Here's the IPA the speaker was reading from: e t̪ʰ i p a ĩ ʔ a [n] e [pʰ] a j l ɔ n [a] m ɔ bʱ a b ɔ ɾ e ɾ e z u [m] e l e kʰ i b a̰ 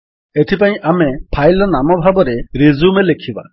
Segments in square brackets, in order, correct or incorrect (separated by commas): incorrect, correct, correct, correct